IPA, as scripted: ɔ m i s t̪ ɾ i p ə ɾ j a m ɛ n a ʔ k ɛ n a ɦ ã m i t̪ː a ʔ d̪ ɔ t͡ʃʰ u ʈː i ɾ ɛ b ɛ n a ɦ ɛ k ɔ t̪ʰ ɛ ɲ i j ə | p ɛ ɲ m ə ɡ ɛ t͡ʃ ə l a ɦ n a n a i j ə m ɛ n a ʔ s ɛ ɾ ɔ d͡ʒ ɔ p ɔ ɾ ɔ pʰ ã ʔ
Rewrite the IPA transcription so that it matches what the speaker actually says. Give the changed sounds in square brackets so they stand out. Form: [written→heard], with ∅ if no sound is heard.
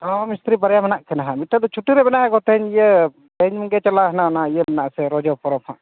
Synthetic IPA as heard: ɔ m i s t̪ ɾ i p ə ɾ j a m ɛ n a ʔ k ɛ n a ɦ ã m i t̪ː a [ʔ→∅] d̪ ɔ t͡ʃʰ u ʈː i ɾ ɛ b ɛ n a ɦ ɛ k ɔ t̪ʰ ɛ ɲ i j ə | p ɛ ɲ m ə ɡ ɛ t͡ʃ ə l a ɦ n a n a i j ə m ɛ n a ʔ s ɛ ɾ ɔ d͡ʒ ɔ p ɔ ɾ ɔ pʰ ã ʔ

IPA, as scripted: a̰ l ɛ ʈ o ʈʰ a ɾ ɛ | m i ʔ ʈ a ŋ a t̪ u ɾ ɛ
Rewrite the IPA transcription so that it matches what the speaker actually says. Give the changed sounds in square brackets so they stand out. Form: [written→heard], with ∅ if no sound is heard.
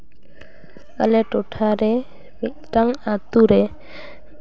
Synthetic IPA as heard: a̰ l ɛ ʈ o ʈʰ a ɾ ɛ | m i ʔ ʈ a ŋ a t̪ u ɾ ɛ

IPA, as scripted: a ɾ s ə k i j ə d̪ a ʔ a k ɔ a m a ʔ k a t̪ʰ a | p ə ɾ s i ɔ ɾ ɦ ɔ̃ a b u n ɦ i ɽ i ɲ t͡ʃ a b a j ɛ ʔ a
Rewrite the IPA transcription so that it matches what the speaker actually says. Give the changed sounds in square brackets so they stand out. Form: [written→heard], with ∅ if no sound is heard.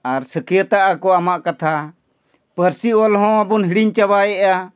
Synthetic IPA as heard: a ɾ s ə k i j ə [d̪→t̪] a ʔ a k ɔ a m a ʔ k a t̪ʰ a | p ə ɾ s i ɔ [ɾ→l] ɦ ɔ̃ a b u n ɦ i ɽ i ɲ t͡ʃ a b a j ɛ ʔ a

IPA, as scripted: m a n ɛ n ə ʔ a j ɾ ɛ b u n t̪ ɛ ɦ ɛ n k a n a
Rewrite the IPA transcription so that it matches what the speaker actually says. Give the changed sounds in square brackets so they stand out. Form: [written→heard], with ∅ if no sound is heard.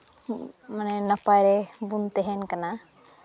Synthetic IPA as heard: m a n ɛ n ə [ʔ→p] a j ɾ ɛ b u n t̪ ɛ ɦ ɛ n k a n a

